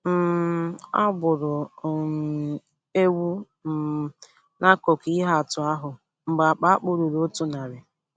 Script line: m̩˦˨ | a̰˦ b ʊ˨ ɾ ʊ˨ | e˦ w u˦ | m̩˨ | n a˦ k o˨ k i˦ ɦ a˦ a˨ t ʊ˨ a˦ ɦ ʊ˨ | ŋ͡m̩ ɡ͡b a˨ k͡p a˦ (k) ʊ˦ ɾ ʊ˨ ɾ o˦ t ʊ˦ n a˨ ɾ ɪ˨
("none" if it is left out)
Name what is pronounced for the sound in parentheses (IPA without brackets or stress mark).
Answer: k͡p